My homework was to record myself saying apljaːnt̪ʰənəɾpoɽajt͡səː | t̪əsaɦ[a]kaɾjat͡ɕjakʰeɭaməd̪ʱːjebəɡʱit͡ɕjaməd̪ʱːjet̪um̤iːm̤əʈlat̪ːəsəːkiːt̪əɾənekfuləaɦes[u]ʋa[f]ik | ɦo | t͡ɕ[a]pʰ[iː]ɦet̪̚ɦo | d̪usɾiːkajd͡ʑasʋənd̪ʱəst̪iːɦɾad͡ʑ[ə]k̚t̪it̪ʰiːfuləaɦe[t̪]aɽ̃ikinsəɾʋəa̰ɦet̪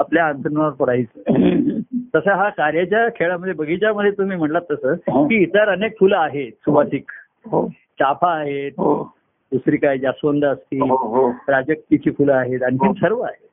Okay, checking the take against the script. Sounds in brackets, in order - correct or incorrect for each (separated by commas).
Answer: correct, correct, incorrect, correct, incorrect, correct, correct